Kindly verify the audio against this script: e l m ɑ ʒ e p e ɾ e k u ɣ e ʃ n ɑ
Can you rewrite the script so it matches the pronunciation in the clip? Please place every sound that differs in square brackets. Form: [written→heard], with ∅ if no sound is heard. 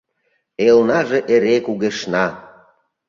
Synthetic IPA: e l [m→n] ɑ ʒ e [p→ʔ] e ɾ e k u ɣ e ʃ n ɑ